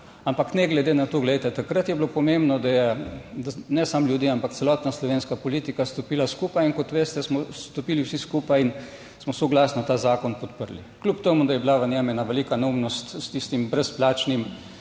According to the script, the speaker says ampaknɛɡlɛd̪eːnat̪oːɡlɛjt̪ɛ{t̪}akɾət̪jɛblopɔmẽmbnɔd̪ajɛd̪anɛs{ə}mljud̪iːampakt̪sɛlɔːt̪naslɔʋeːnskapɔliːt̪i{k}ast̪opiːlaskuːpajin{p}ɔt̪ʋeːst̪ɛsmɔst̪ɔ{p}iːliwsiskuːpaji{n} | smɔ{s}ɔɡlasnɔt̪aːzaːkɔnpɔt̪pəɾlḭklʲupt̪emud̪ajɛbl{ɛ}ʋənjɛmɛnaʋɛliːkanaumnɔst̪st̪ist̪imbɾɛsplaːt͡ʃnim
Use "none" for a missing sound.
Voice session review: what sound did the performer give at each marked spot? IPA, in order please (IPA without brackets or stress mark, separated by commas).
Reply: t̪, a, k, k, p, n, s, a